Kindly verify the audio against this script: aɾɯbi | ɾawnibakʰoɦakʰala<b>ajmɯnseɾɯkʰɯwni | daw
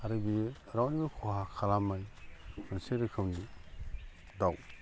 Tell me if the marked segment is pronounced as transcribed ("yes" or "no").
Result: no